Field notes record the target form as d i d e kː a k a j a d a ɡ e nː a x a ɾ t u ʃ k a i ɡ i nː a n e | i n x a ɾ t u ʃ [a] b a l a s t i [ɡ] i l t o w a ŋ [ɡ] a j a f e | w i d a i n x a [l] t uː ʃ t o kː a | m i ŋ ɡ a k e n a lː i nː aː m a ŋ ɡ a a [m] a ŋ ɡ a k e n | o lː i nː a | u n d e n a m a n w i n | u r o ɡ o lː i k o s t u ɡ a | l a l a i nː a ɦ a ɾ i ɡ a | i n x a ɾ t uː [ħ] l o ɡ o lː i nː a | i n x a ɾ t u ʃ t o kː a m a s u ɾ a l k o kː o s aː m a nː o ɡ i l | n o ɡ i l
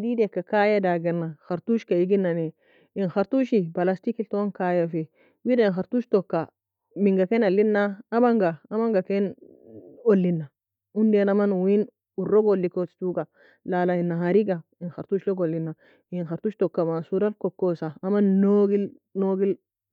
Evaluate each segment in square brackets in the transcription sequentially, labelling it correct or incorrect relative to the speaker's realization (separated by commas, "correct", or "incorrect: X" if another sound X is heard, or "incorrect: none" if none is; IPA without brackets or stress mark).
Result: incorrect: i, incorrect: k, incorrect: k, incorrect: ɾ, correct, incorrect: ʃ